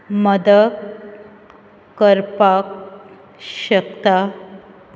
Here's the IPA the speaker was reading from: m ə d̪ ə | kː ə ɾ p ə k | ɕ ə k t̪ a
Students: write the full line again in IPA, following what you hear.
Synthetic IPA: m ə d̪ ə | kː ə ɾ p a k | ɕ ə k t̪ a